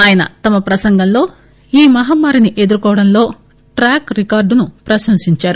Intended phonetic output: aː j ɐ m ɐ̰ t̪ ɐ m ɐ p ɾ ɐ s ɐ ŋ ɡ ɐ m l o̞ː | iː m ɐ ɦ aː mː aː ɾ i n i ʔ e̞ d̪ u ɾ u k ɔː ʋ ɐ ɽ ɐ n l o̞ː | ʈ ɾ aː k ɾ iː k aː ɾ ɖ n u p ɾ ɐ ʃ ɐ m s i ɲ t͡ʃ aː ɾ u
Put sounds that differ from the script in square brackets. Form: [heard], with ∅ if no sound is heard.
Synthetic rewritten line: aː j ɐ [n] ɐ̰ t̪ ɐ m ɐ p ɾ ɐ s ɐ ŋ ɡ ɐ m l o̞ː | iː m ɐ ɦ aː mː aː ɾ i n i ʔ e̞ d̪ u ɾ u k ɔː ʋ ɐ ɽ ɐ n l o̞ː | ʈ ɾ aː k ɾ [i] k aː ɾ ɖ n u p ɾ ɐ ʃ ɐ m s i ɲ t͡ʃ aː ɾ u